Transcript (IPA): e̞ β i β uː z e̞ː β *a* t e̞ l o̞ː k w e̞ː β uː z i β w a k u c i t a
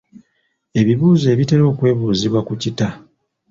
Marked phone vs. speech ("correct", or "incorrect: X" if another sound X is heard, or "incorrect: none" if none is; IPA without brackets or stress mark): incorrect: i